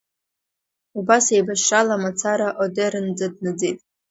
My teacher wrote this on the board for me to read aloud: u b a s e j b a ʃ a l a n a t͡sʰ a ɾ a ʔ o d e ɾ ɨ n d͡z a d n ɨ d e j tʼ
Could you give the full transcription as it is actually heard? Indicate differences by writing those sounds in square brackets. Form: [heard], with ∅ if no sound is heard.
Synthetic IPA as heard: u b a s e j b a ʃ a l a [m] a t͡sʰ a ɾ a ʔ o d e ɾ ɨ n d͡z a d n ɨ [d͡z] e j tʼ